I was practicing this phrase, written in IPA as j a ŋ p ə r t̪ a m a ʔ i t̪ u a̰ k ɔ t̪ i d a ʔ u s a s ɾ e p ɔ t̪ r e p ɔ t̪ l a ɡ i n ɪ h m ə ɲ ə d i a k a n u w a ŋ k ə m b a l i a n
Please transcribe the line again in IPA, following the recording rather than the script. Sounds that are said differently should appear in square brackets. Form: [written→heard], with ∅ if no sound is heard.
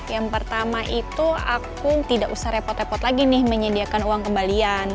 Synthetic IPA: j a ŋ p ə r t̪ a m a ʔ i t̪ u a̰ k [ɔ→u] t̪ i d a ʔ u s a [s→h] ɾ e p ɔ t̪ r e p ɔ t̪ l a ɡ i n ɪ h m ə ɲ ə d i a k a n u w a ŋ k ə m b a l i a n